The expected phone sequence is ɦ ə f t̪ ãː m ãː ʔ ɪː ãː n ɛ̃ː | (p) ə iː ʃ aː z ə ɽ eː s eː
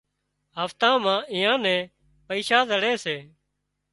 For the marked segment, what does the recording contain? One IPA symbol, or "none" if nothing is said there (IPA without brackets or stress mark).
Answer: p